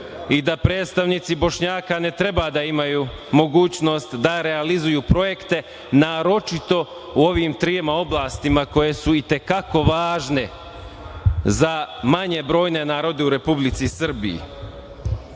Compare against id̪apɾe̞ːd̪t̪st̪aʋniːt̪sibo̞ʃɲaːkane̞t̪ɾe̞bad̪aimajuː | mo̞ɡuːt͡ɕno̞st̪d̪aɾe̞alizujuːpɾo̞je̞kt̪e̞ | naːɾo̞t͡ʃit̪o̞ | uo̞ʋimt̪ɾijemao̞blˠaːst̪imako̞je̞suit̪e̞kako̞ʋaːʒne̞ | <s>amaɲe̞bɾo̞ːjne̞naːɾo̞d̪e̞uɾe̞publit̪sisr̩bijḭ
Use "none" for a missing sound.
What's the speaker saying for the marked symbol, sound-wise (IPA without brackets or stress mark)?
z